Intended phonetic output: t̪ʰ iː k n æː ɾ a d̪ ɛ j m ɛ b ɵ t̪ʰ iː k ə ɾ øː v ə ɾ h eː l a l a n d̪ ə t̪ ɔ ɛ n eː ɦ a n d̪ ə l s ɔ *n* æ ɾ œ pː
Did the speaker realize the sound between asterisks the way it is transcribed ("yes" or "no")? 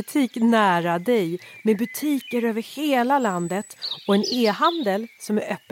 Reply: no